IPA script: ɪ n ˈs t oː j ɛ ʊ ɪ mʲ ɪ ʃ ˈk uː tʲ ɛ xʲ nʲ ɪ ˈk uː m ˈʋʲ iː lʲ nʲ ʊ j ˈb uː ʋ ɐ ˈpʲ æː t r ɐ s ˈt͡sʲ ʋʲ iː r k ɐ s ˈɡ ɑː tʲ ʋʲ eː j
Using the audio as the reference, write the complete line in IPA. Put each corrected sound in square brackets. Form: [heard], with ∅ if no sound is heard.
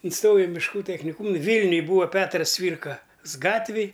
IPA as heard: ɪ n ˈs t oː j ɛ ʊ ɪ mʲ ɪ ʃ ˈk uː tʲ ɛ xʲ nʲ ɪ ˈk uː m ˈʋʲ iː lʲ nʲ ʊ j ˈb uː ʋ ɐ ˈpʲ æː t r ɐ s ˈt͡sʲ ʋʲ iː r k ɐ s ˈɡ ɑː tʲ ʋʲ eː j